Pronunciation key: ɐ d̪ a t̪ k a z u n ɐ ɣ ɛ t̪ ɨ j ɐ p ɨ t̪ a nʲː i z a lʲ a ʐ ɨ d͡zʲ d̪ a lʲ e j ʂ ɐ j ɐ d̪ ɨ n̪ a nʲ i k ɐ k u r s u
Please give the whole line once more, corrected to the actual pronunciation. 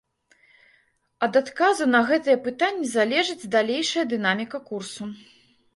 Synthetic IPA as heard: ɐ d̪ a t̪ k a z u n ɐ ɣ ɛ t̪ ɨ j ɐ p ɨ t̪ a nʲː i z a lʲ ɛ ʐ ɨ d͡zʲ d̪ a lʲ e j ʂ ɐ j ɐ d̪ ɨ n̪ a mʲ i k ɐ k u r s u